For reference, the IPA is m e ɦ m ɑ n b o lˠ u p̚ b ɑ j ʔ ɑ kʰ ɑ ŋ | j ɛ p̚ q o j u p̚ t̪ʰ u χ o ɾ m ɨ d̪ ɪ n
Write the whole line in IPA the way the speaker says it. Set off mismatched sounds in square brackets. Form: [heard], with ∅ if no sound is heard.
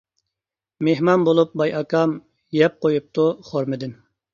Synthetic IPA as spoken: m e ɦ m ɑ n b o lˠ u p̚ b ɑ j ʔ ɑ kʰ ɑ [m] | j ɛ p̚ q o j u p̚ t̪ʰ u χ o ɾ m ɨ d̪ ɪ n